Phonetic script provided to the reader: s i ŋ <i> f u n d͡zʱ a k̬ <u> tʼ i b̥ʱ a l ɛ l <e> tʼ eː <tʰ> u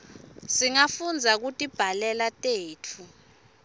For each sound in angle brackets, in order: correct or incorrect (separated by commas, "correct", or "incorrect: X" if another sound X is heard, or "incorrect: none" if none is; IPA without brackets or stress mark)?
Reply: incorrect: a, correct, incorrect: a, correct